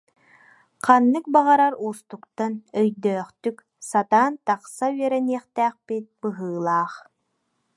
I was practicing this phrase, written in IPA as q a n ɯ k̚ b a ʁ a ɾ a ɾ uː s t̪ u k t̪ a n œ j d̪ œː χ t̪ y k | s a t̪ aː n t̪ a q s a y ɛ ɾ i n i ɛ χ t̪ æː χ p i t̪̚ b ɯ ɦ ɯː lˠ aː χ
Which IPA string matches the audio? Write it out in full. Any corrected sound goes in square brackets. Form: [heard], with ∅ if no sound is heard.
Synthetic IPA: q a [nː] ɯ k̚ b a ʁ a ɾ a ɾ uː s t̪ u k t̪ a n œ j d̪ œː χ t̪ y k | s a t̪ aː n t̪ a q s a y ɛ ɾ [ɛ] n i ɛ χ t̪ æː χ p i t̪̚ b ɯ ɦ ɯː lˠ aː χ